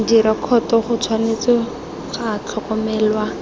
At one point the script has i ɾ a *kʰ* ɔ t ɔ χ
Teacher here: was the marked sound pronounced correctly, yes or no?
yes